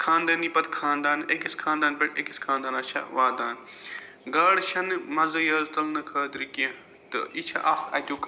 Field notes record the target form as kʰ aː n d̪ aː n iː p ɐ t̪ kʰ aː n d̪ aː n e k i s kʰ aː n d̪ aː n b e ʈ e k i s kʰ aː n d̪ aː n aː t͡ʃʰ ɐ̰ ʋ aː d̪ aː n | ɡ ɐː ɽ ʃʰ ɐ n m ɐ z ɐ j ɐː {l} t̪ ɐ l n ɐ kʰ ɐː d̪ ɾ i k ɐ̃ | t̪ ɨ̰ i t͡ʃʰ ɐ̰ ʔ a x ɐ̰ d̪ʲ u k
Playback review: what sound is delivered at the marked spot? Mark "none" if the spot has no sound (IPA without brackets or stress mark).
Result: l